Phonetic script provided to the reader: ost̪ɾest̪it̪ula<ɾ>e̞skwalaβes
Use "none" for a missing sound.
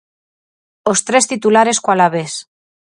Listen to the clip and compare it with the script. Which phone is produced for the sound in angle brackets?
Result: ɾ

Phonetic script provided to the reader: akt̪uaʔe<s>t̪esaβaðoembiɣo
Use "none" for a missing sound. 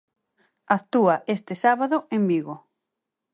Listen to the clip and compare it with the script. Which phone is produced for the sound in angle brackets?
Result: s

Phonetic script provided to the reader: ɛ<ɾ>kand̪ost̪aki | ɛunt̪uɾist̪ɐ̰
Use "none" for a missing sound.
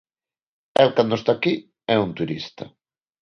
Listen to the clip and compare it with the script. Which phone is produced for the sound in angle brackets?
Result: l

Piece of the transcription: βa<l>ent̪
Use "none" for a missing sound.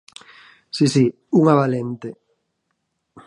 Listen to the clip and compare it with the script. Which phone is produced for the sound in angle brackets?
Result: l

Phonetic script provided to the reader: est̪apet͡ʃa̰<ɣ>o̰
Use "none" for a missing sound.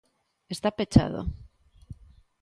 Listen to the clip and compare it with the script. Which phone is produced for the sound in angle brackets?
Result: ð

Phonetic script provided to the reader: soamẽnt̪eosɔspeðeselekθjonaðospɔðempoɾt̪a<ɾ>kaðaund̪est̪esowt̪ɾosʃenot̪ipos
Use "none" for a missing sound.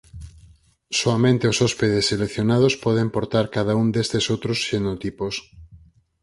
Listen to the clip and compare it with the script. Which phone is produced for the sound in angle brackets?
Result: ɾ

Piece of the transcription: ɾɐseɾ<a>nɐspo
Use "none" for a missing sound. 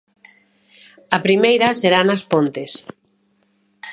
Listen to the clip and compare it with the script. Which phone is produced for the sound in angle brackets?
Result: a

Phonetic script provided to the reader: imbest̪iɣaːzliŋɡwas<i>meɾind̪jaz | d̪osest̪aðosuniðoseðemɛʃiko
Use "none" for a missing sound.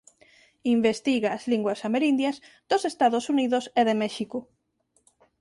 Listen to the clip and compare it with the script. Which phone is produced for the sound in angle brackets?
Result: a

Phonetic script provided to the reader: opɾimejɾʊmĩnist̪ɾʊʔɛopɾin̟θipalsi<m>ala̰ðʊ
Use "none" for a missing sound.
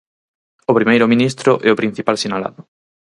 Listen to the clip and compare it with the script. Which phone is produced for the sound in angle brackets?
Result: n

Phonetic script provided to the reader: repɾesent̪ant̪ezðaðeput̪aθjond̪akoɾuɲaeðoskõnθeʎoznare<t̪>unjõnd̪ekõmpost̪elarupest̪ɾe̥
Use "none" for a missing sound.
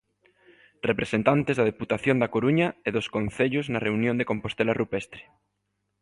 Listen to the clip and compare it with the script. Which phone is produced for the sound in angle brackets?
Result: none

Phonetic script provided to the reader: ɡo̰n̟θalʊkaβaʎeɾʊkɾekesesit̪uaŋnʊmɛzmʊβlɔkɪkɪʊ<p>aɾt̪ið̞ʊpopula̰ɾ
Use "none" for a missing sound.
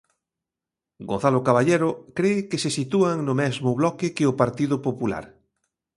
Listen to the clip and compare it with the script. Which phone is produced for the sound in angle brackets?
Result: p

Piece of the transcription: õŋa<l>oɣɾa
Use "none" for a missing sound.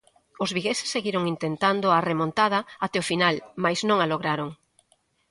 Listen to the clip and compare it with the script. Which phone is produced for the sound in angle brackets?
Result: l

